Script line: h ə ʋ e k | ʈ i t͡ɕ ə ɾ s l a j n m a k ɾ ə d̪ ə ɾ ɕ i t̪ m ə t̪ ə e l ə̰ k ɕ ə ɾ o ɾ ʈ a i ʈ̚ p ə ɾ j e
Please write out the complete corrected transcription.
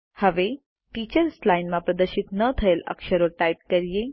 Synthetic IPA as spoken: h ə ʋ e | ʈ i t͡ɕ ə ɾ s l a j n m a p ɾ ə d̪ ə ɾ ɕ i t̪ n ə t̪ʰ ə e l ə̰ k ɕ ə ɾ o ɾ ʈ a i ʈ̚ k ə ɾ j e